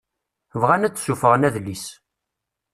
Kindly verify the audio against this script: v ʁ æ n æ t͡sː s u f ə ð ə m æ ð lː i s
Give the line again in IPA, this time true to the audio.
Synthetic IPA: v ʁ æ n æ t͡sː s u f ə ʁ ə n æ ð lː i s